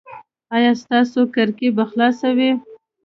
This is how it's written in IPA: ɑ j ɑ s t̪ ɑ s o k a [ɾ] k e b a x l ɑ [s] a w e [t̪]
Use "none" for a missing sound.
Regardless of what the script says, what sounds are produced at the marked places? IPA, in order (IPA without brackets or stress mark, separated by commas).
ɾ, s, none